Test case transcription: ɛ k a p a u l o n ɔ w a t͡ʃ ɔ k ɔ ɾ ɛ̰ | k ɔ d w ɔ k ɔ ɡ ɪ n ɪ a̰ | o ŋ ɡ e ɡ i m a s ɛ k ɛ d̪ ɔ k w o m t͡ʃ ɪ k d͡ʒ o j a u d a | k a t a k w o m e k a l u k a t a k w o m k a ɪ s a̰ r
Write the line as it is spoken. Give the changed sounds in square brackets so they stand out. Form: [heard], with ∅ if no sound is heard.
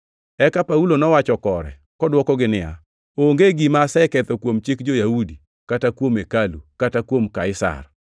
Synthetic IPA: ɛ k a p a u l o n ɔ w a t͡ʃ ɔ k ɔ ɾ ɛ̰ | k ɔ d w ɔ k ɔ ɡ ɪ n ɪ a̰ | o ŋ ɡ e ɡ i m a s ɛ k ɛ [t̪] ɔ k w o m t͡ʃ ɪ k d͡ʒ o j a u d [i] | k a t a k w o m e k a l u k a t a k w o m k a ɪ s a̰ r